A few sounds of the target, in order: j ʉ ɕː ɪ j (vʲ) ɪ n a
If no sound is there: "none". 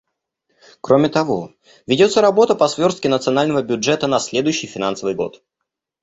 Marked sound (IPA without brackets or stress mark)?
fʲ